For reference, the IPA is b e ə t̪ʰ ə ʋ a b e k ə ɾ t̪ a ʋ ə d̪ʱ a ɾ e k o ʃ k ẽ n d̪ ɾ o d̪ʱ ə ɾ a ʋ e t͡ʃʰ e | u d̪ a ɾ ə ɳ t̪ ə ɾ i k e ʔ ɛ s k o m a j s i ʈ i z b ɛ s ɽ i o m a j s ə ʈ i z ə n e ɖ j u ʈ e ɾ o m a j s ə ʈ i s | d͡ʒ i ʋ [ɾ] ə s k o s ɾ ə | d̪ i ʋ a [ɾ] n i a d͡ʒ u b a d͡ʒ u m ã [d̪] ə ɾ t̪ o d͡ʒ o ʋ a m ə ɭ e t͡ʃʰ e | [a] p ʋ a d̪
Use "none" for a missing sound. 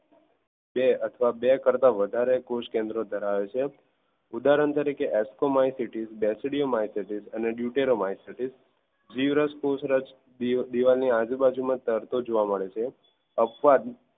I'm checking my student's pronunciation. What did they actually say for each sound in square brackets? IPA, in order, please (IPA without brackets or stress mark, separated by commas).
ɾ, l, t̪, ə